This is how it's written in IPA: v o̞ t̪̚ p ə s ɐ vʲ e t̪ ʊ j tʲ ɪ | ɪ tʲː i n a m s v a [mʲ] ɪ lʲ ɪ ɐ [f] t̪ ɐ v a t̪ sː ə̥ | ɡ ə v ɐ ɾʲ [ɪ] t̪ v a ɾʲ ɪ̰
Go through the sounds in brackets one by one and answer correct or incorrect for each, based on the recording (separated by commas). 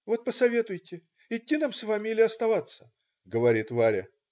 correct, incorrect, incorrect